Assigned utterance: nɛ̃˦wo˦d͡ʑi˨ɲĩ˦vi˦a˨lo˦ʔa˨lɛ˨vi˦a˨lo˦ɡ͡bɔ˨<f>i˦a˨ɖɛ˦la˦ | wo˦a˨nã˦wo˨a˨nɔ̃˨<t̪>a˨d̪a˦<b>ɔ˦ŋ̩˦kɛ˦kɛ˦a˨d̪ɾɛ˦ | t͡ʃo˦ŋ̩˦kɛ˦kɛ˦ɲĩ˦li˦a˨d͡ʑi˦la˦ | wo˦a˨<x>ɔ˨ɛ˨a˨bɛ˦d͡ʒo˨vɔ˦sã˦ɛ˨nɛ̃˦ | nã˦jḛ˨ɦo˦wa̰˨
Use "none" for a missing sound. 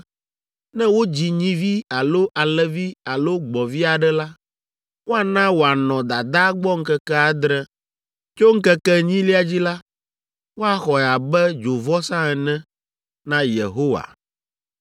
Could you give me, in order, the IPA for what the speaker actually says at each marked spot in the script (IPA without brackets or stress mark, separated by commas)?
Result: v, d̪, ɡ͡b, x